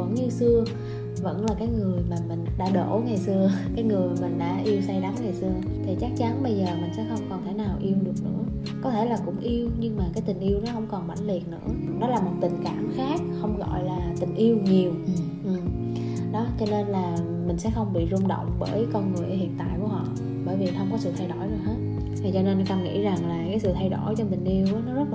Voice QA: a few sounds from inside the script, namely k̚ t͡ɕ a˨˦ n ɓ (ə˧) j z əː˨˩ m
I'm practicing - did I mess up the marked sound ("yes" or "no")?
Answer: no